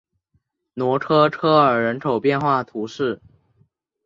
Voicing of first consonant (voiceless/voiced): voiced